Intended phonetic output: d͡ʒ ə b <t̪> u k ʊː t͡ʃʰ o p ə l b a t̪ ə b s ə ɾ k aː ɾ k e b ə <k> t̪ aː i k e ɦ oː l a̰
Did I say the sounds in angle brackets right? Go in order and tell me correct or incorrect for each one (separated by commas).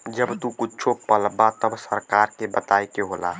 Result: correct, incorrect